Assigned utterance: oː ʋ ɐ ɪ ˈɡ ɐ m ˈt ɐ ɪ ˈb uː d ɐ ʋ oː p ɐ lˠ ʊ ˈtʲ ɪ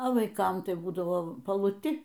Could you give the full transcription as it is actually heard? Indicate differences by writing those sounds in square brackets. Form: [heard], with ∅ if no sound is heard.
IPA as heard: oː ʋ ɐ ɪ [ˈk] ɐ m ˈt ɐ ɪ ˈb uː d ɐ ʋ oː p ɐ lˠ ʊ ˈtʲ ɪ